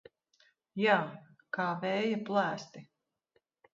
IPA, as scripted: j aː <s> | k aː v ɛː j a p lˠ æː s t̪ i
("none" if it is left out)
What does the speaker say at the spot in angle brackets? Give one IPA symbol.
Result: none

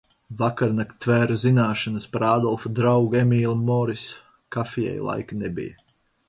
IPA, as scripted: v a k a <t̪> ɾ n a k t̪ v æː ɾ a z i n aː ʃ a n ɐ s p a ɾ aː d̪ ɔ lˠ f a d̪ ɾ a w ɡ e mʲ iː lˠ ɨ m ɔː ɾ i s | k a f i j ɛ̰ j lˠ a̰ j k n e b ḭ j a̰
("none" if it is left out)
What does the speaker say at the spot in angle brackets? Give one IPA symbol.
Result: none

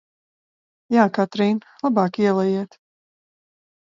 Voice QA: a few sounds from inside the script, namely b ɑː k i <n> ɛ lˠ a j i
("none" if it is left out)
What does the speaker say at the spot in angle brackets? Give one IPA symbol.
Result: none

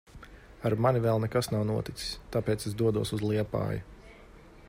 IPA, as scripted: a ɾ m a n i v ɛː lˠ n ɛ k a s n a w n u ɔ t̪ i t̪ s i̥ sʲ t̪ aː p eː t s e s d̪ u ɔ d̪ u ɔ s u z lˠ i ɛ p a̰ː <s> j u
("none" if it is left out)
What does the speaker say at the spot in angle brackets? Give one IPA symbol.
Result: none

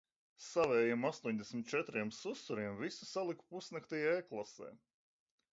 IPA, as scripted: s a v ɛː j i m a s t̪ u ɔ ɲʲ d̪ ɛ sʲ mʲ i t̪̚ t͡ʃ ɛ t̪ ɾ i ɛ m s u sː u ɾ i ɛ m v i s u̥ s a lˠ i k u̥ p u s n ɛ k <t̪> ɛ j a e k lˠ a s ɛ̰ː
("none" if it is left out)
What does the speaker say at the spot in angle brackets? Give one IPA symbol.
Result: t̪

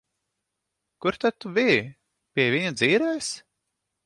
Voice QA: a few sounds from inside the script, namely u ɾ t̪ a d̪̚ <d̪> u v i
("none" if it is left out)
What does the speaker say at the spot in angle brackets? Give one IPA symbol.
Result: t̪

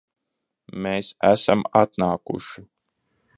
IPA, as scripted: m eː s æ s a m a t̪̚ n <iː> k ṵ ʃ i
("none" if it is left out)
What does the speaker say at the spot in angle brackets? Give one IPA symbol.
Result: aː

